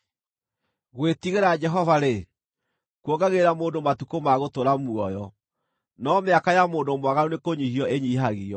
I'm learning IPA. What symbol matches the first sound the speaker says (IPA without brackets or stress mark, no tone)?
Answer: ɣ